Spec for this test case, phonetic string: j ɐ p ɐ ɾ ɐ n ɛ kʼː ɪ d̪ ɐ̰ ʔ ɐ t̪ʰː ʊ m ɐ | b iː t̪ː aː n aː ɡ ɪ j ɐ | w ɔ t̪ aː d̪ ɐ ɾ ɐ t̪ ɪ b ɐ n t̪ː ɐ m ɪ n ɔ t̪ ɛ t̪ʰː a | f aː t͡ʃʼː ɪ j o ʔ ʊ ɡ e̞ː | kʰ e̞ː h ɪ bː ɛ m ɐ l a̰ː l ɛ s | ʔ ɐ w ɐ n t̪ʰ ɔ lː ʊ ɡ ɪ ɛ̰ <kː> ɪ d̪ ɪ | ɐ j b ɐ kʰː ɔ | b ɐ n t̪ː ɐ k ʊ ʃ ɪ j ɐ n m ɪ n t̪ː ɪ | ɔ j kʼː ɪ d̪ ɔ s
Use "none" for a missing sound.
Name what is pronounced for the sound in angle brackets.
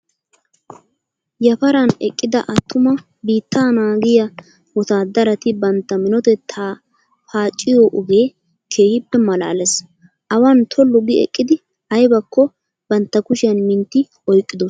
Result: kʼː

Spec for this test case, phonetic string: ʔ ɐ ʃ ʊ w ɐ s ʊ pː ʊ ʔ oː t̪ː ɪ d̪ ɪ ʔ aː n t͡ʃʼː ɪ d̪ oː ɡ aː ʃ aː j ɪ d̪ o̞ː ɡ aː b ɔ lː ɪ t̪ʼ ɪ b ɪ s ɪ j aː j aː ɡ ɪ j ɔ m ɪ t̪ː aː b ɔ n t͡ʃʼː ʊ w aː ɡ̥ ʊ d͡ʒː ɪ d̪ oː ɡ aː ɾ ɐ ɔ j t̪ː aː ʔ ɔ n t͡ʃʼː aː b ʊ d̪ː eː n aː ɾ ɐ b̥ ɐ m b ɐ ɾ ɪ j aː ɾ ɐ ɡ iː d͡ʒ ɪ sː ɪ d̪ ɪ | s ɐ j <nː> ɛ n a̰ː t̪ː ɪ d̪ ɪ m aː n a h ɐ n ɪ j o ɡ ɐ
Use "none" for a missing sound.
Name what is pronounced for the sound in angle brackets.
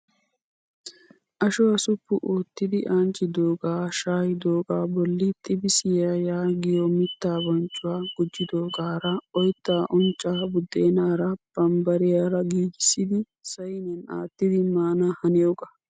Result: n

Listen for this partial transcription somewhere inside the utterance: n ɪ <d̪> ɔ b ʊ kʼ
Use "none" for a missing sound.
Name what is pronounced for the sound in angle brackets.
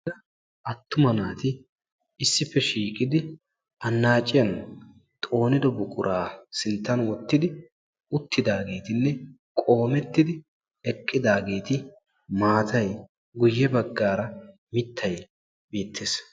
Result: d̪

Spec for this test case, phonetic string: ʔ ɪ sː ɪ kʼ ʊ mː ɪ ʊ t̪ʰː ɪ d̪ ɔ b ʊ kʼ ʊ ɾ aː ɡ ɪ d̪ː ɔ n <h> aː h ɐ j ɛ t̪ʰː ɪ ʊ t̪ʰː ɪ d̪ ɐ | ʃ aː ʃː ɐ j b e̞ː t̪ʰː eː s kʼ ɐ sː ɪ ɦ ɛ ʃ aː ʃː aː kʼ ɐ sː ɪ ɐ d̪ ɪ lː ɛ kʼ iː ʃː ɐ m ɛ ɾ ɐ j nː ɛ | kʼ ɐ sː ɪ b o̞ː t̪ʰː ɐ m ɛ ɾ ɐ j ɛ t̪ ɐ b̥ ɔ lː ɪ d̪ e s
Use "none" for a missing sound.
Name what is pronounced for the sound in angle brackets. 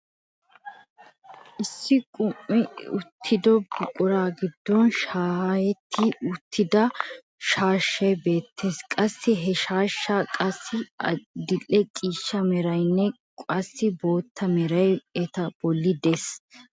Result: ʃ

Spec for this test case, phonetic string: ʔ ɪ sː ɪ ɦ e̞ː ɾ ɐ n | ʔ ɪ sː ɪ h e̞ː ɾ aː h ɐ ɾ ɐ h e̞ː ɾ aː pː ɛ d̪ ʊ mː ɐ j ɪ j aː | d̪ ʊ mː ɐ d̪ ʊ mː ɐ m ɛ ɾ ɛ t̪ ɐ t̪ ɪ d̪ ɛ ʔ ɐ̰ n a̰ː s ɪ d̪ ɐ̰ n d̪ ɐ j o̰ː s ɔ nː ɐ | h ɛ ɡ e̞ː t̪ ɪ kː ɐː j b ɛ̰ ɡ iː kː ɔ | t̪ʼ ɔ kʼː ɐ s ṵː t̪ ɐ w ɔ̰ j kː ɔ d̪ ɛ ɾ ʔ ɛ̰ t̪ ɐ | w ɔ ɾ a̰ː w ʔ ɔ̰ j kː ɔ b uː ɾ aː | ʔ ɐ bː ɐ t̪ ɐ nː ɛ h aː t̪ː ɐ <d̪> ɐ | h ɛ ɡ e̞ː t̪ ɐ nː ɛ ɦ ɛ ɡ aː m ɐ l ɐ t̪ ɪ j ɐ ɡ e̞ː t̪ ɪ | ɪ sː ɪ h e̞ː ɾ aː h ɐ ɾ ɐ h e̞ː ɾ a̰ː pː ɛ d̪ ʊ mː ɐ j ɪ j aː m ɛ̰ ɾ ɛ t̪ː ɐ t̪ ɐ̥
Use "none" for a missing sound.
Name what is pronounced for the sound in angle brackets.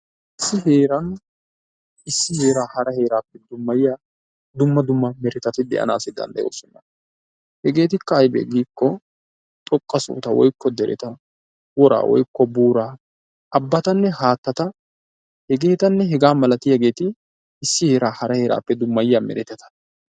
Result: t̪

